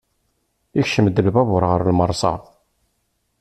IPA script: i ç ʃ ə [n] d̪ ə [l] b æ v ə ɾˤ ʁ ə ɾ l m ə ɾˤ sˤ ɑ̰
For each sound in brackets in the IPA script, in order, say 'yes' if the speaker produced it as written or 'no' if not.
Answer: no, yes

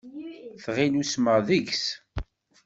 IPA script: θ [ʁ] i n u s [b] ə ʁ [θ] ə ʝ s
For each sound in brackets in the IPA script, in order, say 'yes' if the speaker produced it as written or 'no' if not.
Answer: yes, no, no

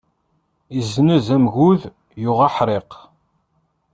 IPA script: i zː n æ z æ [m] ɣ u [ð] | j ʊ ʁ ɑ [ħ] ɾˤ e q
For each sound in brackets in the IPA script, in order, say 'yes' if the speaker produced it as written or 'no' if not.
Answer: yes, yes, yes

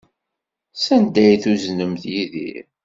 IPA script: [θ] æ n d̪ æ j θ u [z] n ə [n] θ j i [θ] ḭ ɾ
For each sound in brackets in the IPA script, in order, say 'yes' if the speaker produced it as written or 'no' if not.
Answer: no, yes, no, no

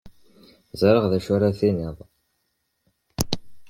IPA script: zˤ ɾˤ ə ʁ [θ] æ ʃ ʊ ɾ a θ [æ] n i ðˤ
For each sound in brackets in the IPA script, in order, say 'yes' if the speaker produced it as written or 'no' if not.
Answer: no, no

